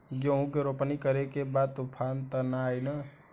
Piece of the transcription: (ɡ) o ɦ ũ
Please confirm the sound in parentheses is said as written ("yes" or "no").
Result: yes